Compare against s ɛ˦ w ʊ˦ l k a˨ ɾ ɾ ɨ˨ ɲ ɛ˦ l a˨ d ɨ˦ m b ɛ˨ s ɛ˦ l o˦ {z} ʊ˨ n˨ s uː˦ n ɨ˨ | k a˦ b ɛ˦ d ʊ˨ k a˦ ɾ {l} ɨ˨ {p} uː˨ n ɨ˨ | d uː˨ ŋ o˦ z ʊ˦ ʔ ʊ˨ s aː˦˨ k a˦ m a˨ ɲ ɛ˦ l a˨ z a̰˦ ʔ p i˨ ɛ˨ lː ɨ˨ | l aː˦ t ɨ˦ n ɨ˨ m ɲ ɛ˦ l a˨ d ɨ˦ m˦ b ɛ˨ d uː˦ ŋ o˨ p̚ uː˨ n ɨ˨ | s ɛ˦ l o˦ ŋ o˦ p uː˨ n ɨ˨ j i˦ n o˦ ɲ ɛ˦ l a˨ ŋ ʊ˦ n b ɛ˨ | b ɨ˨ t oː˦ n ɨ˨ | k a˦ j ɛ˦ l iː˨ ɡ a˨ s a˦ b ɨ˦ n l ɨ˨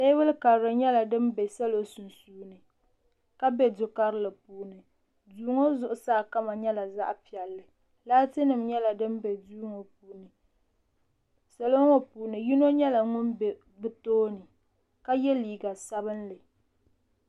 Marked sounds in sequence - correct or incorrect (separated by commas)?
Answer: incorrect, correct, correct